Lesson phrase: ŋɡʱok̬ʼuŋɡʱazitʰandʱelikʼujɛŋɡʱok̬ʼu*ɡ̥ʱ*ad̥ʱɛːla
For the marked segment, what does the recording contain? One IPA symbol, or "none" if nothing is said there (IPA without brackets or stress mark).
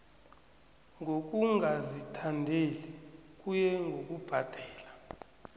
b̥ʱ